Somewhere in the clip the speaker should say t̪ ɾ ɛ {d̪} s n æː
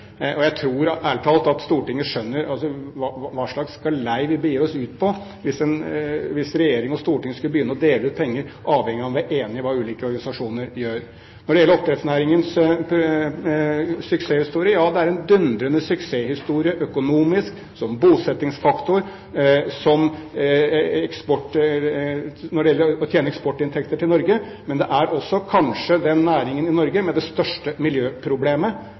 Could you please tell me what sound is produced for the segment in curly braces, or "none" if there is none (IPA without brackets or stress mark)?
t̪